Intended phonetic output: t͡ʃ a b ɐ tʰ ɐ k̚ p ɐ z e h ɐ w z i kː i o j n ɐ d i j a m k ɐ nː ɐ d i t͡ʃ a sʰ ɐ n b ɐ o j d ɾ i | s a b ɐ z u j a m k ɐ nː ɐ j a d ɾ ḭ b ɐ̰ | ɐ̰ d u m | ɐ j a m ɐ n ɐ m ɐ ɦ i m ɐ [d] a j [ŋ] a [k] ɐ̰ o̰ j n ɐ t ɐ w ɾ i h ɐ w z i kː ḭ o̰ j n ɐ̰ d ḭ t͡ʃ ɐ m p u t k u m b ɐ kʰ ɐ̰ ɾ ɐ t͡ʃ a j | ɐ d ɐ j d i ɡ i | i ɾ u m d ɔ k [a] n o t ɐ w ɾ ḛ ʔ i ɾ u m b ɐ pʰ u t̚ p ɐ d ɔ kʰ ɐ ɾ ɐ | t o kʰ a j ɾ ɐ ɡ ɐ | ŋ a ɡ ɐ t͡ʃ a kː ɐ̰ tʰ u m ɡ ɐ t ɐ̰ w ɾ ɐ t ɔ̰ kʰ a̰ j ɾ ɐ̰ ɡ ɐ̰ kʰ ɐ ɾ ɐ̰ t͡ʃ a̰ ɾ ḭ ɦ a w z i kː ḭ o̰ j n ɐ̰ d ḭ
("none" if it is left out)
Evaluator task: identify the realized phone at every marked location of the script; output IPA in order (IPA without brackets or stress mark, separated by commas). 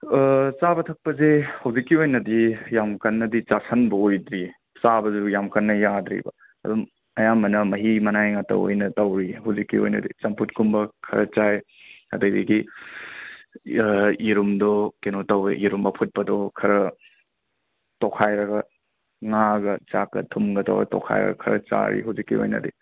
n, ŋ, t, e